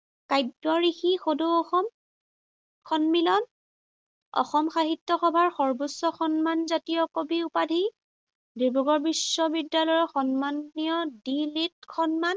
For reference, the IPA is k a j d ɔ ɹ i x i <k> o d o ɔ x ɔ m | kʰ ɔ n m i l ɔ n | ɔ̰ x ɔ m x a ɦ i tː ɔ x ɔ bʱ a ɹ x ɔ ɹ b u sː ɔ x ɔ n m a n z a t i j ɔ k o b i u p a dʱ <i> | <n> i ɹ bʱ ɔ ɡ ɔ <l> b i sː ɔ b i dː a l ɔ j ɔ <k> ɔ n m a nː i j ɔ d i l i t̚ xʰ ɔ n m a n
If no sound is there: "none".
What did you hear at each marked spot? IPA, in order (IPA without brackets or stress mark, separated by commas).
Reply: x, i, d, ɹ, x